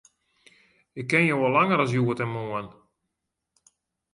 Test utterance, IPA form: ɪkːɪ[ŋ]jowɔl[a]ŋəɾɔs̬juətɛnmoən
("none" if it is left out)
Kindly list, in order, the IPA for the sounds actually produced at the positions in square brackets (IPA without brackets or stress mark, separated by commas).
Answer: n, a